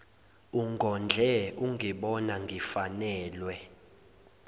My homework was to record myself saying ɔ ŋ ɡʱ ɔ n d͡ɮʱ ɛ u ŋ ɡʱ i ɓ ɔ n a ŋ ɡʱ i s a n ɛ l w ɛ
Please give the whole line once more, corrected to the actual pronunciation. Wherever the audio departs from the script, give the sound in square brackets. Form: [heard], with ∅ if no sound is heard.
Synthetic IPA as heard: [u] ŋ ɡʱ ɔ n d͡ɮʱ ɛ u ŋ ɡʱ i ɓ ɔ n a ŋ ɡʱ i [f] a n [ɛː] l w ɛ